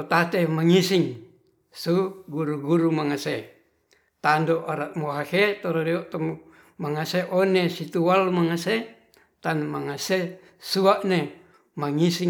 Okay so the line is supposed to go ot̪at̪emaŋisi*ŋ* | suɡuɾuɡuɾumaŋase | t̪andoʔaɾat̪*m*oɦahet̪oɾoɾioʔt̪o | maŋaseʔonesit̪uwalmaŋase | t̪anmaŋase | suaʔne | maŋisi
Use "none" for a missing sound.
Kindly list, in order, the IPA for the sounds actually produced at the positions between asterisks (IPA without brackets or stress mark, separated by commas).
ŋ, m